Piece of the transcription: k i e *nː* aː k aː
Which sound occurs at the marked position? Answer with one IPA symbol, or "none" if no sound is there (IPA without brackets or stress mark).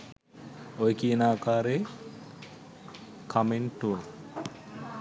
n